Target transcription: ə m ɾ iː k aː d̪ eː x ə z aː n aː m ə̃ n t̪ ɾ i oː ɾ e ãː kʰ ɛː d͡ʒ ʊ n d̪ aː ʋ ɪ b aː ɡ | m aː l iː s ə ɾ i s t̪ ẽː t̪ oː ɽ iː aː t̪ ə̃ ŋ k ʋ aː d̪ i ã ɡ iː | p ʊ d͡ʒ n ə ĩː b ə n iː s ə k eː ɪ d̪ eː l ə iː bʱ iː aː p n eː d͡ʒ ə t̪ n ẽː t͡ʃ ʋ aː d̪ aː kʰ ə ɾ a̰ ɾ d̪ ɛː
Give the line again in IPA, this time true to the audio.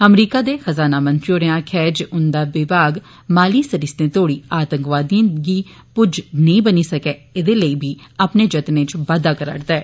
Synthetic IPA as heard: ə m ɾ iː k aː d̪ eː x ə z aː n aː m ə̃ n t̪ ɾ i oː ɾ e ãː kʰ ɛː d͡ʒ ʊ n d̪ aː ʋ ɪ b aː ɡ | m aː l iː s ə ɾ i s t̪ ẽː t̪ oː ɽ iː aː t̪ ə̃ ŋ k ʋ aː d̪ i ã ɡ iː | p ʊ d͡ʒ n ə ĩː b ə n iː s ə k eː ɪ d̪ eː l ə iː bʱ iː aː p n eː d͡ʒ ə t̪ n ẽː t͡ʃ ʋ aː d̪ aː k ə ɾ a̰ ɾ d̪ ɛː